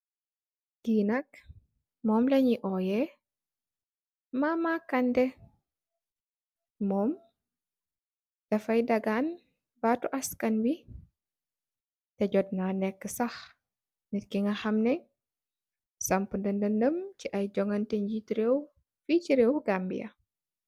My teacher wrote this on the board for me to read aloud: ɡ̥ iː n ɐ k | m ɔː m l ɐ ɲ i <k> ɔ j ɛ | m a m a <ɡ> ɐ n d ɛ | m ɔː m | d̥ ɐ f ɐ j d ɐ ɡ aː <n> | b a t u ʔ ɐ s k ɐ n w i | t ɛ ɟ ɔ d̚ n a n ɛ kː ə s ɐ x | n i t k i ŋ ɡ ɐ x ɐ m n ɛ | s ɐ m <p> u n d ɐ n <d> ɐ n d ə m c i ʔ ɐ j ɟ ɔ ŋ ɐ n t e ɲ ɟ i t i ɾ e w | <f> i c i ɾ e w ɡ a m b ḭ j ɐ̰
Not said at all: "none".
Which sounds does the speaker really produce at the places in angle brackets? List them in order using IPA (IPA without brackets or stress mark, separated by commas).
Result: ʔ, k, n, p, d, f